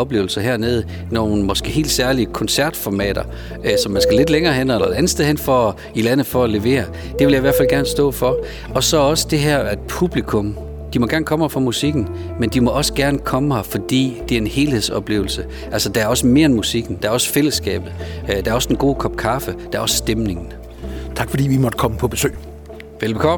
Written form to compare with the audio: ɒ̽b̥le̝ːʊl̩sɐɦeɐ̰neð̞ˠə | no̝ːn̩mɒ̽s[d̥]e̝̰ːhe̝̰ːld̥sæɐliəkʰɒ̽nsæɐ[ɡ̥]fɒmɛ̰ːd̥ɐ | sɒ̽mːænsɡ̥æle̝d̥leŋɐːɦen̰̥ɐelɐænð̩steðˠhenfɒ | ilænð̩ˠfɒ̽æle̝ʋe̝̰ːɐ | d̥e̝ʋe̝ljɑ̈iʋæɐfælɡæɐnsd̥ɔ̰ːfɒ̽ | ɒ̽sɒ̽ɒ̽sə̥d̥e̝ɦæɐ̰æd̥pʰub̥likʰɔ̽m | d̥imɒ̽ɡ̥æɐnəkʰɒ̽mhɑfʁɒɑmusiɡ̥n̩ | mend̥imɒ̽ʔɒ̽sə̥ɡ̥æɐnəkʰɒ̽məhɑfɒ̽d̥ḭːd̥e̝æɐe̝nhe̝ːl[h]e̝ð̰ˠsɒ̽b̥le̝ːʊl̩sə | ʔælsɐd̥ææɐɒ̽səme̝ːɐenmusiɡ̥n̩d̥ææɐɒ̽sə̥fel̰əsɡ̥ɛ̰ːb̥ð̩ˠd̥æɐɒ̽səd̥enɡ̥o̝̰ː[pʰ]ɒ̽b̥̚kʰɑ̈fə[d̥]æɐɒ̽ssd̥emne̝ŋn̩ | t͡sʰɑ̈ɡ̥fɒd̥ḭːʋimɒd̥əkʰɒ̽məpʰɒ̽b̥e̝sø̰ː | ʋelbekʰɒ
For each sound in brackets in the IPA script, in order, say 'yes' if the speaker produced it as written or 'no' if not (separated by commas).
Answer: no, no, yes, no, yes